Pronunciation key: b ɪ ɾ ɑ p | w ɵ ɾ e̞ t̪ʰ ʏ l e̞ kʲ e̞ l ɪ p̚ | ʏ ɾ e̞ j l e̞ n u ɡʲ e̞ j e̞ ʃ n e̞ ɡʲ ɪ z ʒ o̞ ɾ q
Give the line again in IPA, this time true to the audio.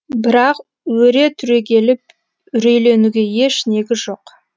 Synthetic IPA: b ɪ ɾ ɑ q | w ɵ ɾ e̞ t̪ʰ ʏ ɾ e̞ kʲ e̞ l ɪ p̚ | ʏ ɾ e̞ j l e̞ n u ɡʲ e̞ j e̞ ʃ n e̞ ɡʲ ɪ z ʒ o̞ q

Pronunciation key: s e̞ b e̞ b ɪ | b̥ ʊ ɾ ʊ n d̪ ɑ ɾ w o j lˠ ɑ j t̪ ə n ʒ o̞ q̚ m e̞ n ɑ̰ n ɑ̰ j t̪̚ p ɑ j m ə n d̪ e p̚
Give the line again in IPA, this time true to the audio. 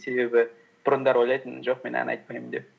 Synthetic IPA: s e̞ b e̞ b ɪ | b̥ ʊ ɾ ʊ n d̪ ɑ ɾ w o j lˠ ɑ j t̪ ə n ʒ o̞ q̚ m e̞ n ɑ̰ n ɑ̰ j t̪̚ p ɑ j m ə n d̪ e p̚

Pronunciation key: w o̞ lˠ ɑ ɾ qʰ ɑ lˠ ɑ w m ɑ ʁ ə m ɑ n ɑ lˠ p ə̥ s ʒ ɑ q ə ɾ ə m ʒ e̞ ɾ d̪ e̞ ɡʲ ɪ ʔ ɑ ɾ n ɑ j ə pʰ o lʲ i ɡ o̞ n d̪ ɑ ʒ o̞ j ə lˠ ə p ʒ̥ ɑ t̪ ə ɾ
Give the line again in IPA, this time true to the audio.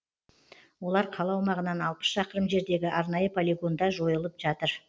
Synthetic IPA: w o̞ lˠ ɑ ɾ qʰ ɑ lˠ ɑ w m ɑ ʁ ə n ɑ n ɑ lˠ p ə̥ s ʃ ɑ q ə ɾ ə m ʒ e̞ ɾ d̪ e̞ ɡʲ ɪ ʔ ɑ ɾ n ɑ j ə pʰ o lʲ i ɡ o̞ n d̪ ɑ ʒ o̞ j ə lˠ ə p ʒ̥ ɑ t̪ ə ɾ

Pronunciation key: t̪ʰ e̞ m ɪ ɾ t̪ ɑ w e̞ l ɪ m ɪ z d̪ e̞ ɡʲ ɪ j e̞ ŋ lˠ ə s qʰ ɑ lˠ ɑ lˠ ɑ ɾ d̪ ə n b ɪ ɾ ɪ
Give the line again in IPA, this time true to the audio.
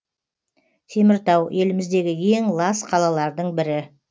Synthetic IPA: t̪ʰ e̞ m ɪ ɾ t̪ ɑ w e̞ l ɪ m ɪ z d̪ e̞ ɡʲ ɪ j e̞ ŋ lˠ ɑ s qʰ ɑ lˠ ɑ lˠ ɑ ɾ d̪ ə ɴ b ɪ ɾ ɪ

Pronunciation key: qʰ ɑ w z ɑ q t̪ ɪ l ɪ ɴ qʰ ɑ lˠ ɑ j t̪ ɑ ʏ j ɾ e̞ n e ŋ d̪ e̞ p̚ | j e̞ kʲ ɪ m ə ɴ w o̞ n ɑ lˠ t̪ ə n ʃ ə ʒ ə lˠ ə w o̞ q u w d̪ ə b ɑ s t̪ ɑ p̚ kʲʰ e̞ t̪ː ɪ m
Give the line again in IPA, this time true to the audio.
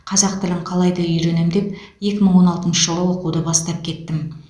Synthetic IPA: qʰ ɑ z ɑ q t̪ ɪ l ɪ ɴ qʰ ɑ lˠ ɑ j d̪ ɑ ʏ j ɾ e̞ n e m d̪ e̞ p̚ | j e̞ kʲ ɪ m ə ɴ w o̞ n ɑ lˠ t̪ ə n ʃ ə ʒ ə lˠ ə w o̞ q u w d̪ ə b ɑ s t̪ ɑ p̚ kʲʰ e̞ t̪ː ɪ m

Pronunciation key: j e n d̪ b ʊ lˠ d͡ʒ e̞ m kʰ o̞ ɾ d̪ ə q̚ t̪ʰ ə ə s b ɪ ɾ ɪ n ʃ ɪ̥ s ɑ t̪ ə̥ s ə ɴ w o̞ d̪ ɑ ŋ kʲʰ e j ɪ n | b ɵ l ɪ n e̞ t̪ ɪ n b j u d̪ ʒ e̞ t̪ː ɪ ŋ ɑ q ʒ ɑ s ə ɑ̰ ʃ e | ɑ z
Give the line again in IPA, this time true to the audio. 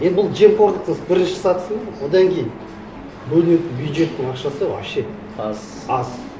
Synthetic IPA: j e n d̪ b ʊ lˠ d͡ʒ e̞ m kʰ o̞ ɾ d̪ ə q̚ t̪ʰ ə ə s b ɪ ɾ ɪ n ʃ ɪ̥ s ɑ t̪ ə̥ s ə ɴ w o̞ d̪ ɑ ŋ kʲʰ e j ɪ n | b ɵ l ɪ n e̞ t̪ ɪ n b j u d̪ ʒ e̞ t̪ː ɪ ŋ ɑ q ʃ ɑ s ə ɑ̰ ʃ e | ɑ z

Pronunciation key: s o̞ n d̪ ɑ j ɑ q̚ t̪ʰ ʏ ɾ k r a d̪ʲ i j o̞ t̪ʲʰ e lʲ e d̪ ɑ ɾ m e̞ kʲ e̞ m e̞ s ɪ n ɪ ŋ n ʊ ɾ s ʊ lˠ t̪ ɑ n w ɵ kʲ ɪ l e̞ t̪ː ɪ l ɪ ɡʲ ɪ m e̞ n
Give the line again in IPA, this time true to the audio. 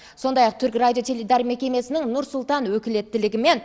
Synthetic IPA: s o̞ n d̪ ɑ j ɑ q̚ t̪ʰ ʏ ɾ k r a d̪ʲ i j o̞ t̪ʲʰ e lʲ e d̪ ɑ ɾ m e̞ kʲ e̞ m e̞ s ɪ n ɪ ŋ n ʊ ɾ s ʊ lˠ t̪ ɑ n w ɵ kʲ ɪ l e̞ t̪ː ɪ l ɪ ɡʲ ɪ m e̞ n

